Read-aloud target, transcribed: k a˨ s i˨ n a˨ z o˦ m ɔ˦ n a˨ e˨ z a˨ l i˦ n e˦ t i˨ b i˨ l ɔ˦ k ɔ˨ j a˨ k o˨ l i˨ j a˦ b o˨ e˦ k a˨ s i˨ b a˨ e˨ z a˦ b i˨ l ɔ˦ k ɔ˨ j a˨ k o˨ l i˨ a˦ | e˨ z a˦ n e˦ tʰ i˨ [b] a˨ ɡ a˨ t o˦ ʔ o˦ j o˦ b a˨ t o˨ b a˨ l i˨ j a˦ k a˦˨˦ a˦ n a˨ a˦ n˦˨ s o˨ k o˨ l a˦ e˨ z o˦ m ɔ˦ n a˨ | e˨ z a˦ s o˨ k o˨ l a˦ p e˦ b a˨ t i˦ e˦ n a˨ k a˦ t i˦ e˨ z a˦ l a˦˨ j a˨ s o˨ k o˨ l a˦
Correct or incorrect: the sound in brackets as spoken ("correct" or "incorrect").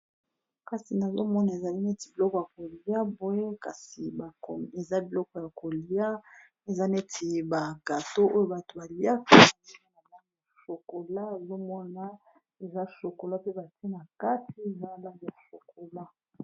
correct